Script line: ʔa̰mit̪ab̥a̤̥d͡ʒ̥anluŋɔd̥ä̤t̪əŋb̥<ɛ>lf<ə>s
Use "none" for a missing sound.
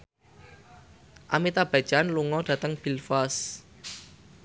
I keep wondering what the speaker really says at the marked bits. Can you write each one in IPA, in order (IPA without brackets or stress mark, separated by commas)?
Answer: i, a